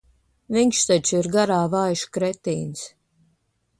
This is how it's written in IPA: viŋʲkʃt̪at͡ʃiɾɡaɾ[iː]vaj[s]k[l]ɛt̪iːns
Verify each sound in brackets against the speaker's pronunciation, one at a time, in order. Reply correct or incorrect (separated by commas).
incorrect, incorrect, incorrect